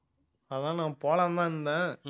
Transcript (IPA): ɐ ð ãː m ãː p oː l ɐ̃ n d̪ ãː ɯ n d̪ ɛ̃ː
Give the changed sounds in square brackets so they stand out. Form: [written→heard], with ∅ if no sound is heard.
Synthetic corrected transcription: ɐ ð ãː [m→n] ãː p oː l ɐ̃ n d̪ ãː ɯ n d̪ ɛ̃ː